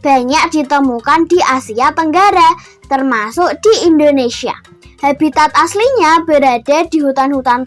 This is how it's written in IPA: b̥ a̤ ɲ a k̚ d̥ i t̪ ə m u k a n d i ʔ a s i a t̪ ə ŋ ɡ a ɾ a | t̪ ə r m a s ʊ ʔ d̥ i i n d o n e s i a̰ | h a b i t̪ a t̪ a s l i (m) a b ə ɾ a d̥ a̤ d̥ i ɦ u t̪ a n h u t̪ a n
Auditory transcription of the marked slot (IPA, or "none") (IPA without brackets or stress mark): ɲ